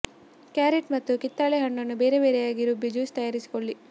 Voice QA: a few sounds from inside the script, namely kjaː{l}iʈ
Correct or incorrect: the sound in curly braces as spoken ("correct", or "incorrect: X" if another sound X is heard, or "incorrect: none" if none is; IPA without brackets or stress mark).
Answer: incorrect: ɾ